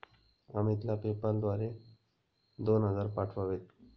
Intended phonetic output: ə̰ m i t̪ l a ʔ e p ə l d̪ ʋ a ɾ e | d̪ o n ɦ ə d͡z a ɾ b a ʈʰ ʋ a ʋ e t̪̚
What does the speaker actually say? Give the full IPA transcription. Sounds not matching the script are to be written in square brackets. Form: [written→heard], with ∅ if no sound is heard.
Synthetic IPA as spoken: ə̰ m i t̪ l a [ʔ→p] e p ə l d̪ ʋ a ɾ e | d̪ o n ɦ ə d͡z a ɾ [b→p] a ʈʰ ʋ a ʋ e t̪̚